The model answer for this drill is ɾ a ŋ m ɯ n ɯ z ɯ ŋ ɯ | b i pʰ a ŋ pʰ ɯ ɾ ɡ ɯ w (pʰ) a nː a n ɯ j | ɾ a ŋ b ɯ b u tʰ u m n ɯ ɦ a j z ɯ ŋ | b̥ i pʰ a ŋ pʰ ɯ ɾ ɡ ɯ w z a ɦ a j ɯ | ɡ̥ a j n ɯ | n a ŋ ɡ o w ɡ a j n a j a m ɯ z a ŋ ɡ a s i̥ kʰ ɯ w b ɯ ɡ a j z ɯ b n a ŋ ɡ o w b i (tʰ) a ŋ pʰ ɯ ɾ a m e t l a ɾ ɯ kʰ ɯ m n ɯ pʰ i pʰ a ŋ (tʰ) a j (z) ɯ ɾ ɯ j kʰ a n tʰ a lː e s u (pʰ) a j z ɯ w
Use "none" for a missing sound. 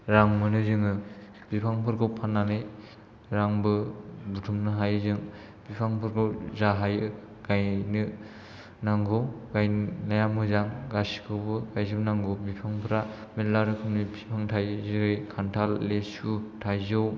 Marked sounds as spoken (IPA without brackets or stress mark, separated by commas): pʰ, pʰ, tʰ, z, tʰ